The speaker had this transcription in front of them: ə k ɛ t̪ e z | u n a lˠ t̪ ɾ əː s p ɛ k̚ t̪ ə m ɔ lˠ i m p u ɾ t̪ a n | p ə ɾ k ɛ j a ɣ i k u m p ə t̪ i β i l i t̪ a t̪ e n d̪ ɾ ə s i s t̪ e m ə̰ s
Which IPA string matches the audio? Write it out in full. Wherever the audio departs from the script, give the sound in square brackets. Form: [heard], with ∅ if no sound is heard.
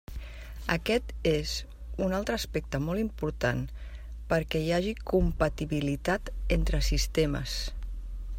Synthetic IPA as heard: ə k ɛ t̪ e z | u n a lˠ t̪ ɾ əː s p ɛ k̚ t̪ ə m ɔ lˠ i m p u ɾ t̪ a n | p ə ɾ k ɛ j a [ʒ] i k u m p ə t̪ i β i l i t̪ a t̪ e n [t̪] ɾ ə s i s t̪ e m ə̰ s